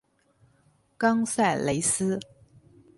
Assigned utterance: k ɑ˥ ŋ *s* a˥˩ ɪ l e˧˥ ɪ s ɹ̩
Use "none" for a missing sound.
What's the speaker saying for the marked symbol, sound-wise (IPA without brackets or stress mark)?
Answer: s